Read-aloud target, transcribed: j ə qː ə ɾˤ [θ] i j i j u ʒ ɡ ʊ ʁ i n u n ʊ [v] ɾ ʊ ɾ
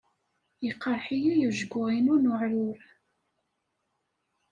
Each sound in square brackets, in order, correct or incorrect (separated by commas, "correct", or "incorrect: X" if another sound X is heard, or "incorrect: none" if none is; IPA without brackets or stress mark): incorrect: ħ, incorrect: ʕ